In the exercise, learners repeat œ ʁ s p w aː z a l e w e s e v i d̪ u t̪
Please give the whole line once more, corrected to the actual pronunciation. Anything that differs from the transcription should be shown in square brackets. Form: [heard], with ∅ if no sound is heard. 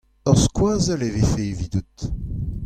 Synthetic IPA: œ ʁ s [k] w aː z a l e [v] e [f] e v i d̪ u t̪